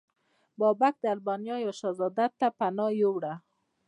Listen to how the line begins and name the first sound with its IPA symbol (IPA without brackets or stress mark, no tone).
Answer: b